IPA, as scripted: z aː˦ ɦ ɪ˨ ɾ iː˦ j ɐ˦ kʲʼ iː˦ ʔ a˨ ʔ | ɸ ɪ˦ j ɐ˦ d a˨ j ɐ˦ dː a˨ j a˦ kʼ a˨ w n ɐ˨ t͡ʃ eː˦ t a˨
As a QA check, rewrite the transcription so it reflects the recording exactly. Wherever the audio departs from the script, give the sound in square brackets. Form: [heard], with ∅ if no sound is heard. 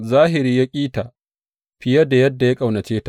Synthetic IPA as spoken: z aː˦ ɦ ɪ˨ ɾ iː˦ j [a˦] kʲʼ iː˦ [t] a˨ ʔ | ɸ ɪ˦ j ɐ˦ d a˨ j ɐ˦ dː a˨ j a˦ kʼ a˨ w n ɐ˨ t͡ʃ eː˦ t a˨

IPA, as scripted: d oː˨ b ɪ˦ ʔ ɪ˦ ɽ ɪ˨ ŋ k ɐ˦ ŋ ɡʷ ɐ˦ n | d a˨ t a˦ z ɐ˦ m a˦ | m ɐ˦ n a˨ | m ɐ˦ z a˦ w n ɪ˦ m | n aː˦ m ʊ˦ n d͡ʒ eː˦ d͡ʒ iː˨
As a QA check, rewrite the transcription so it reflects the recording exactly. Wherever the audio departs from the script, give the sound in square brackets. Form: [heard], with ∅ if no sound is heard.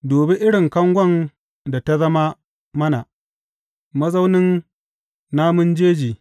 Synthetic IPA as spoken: d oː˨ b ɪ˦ ʔ ɪ˦ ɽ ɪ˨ ŋ k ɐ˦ ŋ ɡʷ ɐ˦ n | d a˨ t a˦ z ɐ˦ m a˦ | m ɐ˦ n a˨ | m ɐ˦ z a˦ w n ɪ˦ [n] | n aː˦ m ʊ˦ n d͡ʒ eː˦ d͡ʒ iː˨

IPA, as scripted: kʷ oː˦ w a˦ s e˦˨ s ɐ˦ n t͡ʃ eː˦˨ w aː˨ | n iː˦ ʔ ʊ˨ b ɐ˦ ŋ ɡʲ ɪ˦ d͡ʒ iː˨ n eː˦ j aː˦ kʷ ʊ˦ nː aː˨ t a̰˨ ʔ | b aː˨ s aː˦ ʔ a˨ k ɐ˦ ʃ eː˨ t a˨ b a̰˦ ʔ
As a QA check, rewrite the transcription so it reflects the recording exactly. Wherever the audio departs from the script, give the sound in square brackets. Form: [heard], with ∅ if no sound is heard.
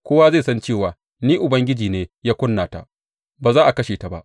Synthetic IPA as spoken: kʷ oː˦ w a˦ [z] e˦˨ s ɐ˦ n t͡ʃ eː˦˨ w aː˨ | n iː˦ ʔ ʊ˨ b ɐ˦ ŋ ɡʲ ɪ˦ d͡ʒ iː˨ n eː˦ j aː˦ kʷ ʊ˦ nː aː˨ t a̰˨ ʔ | b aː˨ [z] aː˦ ʔ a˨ k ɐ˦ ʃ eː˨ t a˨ b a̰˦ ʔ

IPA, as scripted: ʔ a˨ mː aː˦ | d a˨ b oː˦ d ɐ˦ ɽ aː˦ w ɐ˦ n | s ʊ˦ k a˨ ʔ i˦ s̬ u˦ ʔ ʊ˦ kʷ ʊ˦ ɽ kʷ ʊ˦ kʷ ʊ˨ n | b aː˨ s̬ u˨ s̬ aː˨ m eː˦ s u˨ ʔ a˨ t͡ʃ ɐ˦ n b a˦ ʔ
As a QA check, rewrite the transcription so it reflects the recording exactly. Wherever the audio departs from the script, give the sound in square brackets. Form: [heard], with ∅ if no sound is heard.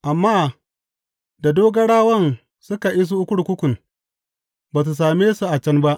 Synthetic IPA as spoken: ʔ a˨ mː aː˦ | d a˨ [d] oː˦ [ɡ] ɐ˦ ɽ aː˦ w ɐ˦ n | s ʊ˦ k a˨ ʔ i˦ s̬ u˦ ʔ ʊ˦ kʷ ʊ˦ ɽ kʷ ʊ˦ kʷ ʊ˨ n | b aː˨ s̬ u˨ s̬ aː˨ m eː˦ s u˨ ʔ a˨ t͡ʃ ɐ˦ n b a˦ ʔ

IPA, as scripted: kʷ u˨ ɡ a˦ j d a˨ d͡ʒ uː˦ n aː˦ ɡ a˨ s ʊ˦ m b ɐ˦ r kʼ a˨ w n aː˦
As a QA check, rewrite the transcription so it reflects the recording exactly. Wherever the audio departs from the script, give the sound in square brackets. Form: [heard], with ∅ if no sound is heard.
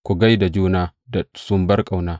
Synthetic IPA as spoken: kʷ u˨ ɡ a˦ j d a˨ d͡ʒ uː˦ n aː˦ [d] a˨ s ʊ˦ m b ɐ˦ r kʼ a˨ w n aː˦

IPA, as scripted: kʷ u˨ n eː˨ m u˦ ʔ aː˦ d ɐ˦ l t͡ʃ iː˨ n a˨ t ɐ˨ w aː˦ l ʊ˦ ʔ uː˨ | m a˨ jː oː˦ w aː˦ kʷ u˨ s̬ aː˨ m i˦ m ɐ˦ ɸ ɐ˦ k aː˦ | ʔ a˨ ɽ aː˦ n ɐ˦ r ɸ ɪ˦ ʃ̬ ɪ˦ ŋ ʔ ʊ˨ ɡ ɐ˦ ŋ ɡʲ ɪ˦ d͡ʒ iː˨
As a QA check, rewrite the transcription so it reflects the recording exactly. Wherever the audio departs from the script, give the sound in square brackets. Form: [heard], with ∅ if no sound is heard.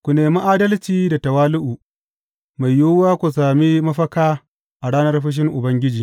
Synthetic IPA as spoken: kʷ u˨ n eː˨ m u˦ ʔ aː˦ d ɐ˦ l t͡ʃ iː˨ [d] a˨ t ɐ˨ w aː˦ l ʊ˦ ʔ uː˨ | m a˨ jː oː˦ w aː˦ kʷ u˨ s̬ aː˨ m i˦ m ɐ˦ ɸ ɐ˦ k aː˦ | ʔ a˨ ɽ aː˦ n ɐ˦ r ɸ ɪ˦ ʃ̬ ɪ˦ ŋ ʔ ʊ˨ [b] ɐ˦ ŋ ɡʲ ɪ˦ d͡ʒ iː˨

